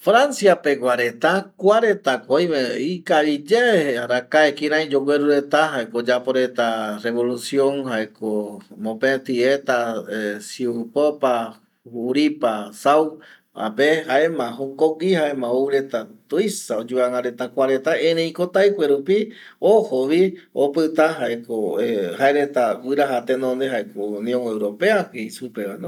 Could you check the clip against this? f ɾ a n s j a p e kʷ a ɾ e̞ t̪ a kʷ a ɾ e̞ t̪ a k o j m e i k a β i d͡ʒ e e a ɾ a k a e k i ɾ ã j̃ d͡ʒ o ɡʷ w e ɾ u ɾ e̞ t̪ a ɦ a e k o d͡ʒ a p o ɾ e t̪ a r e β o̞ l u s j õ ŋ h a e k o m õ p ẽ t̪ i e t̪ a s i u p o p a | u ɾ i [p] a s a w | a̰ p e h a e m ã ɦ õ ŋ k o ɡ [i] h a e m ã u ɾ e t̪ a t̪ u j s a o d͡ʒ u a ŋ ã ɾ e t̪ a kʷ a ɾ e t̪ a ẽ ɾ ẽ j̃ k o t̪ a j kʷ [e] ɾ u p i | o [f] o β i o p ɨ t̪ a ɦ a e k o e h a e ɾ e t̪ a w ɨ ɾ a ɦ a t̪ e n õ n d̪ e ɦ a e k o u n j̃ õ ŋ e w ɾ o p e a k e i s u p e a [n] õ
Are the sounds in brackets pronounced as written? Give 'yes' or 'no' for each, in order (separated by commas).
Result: yes, yes, yes, no, yes